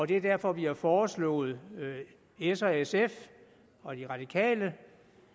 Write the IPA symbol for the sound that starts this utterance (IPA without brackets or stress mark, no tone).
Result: ɒ̽